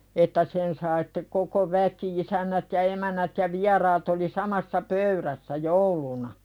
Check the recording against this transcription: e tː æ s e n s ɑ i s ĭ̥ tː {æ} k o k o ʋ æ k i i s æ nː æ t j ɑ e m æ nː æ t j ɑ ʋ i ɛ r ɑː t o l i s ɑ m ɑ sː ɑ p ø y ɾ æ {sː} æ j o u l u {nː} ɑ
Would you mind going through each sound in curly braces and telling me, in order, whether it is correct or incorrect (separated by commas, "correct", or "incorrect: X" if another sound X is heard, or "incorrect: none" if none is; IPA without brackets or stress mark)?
incorrect: e, correct, incorrect: n